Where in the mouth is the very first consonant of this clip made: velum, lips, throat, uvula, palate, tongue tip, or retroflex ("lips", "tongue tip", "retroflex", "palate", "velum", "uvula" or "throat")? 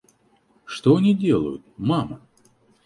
retroflex